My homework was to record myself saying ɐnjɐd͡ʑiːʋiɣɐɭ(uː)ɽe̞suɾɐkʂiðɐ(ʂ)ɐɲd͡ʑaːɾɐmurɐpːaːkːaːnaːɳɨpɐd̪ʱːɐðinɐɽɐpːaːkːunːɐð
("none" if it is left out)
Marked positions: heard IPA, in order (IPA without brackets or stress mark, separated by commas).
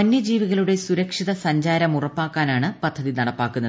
u, s